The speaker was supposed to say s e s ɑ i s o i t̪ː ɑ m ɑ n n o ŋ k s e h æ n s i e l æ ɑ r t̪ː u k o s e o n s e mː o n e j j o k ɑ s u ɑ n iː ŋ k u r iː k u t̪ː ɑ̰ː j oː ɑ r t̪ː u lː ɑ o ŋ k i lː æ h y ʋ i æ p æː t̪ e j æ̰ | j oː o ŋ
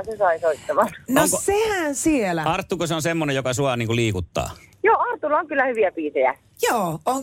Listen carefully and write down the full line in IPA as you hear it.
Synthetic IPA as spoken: s e s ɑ i s o i t̪ː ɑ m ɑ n n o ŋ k s e h æ n s i e l æ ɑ r t̪ː u k o s e o n s e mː o n e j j o k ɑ s u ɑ n iː ŋ k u l iː k u t̪ː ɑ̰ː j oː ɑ r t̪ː u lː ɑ o ŋ k y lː æ h y ʋ i æ p iː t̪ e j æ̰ | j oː o ŋ